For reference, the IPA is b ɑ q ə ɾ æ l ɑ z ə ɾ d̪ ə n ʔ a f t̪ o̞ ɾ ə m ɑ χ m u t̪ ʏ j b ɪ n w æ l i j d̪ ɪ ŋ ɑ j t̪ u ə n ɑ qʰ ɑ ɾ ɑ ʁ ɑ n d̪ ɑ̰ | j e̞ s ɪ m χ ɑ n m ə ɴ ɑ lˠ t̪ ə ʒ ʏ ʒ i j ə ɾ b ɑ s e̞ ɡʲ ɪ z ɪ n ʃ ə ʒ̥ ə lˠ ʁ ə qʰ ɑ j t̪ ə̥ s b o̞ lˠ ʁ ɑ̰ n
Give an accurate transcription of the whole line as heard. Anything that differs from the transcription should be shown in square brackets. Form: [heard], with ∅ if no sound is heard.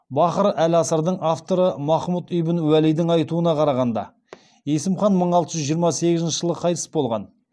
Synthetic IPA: b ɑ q ə ɾ æ l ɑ [s] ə ɾ d̪ ə [ɴ] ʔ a f t̪ o̞ ɾ ə m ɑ χ m u t̪ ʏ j b ɪ n w æ l i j d̪ ɪ ŋ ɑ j t̪ u ə n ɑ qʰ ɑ ɾ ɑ ʁ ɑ n d̪ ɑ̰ | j e̞ s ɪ m χ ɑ n m ə ɴ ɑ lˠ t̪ ə ʒ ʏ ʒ i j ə ɾ [m] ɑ s e̞ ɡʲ ɪ z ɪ n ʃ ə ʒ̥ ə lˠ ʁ ə qʰ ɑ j t̪ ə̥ s b o̞ lˠ ʁ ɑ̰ n

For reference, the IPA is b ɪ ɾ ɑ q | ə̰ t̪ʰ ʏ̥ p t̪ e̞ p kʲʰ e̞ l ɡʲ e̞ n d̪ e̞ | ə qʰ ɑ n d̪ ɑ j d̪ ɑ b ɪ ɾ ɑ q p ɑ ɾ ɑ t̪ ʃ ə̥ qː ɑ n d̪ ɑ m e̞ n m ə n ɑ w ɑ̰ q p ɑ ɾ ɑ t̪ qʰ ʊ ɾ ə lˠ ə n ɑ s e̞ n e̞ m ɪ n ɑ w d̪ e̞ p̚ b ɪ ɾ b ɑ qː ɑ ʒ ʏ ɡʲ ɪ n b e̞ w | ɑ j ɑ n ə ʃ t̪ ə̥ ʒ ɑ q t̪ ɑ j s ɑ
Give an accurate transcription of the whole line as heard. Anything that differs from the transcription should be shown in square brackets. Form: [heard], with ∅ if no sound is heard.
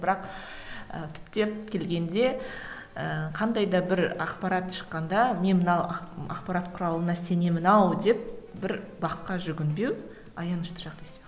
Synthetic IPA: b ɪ ɾ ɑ q | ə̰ t̪ʰ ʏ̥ p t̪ e̞ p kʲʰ e̞ l ɡʲ e̞ n d̪ e̞ | ə qʰ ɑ n d̪ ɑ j d̪ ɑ b ɪ ɾ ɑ q p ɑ ɾ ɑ t̪ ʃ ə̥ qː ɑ n d̪ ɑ m e̞ n m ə n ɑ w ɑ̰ q p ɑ ɾ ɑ t̪ qʰ ʊ ɾ [ɑ] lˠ ə n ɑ s e̞ n e̞ m ɪ n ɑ w d̪ e̞ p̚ b ɪ ɾ b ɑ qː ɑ ʒ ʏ ɡʲ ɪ n b e̞ w | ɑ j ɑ n ə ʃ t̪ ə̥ ʒ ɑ q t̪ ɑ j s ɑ

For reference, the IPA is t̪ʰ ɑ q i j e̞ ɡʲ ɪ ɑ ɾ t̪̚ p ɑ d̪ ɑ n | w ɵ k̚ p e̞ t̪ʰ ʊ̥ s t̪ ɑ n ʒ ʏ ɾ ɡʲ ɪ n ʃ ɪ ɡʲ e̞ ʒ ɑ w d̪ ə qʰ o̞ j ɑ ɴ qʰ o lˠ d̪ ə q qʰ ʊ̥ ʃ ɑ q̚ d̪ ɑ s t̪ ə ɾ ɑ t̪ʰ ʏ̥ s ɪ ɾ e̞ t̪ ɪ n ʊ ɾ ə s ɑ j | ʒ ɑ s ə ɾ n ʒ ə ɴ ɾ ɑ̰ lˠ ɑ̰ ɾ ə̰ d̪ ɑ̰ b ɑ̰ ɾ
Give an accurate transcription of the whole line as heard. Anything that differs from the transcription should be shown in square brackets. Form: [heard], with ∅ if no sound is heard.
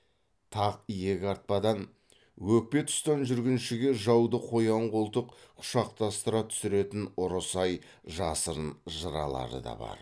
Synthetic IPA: t̪ʰ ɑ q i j e̞ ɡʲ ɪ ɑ ɾ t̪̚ p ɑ d̪ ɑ n | w ɵ k̚ p e̞ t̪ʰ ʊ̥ s t̪ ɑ n ʒ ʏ ɾ ɡʲ ɪ n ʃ ɪ ɡʲ e̞ ʒ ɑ w d̪ ə qʰ o̞ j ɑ ɴ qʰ o lˠ [t̪] ə q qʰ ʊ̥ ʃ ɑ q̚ [t̪] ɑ s t̪ ə ɾ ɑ t̪ʰ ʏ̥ s ɪ ɾ e̞ t̪ ɪ n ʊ ɾ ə s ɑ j | ʒ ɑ s ə ɾ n ʒ ə [∅] ɾ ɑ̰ lˠ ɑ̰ ɾ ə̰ d̪ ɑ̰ b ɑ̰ ɾ

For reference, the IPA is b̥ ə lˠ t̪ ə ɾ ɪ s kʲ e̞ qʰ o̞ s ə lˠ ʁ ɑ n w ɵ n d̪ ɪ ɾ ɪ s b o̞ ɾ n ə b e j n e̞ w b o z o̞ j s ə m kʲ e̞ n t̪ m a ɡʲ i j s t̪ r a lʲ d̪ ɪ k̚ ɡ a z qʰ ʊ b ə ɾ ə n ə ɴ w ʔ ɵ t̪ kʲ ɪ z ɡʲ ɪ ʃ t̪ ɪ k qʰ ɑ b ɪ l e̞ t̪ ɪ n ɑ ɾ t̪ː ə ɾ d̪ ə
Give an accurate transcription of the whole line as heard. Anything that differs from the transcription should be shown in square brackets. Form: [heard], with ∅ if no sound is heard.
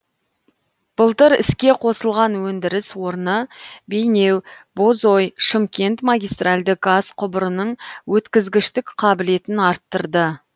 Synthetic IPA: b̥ ə lˠ t̪ ə ɾ ɪ s kʲ e̞ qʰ o̞ s ə lˠ ʁ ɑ n w ɵ n d̪ ɪ ɾ ɪ s [w] o̞ ɾ n ə b e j n e̞ w b o z o̞ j [ʃ] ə m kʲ e̞ n t̪ m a ɡʲ i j s t̪ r a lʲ d̪ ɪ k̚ ɡ a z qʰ ʊ b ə ɾ ə n ə ɴ w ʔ ɵ t̪ kʲ ɪ z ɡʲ ɪ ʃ t̪ ɪ k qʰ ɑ b ɪ l e̞ t̪ ɪ n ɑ ɾ t̪ː ə ɾ d̪ ə

